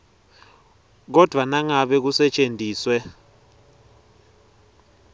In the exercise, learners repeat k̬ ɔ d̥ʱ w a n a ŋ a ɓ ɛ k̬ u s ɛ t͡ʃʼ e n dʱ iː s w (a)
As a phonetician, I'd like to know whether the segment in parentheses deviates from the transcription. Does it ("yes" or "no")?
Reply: yes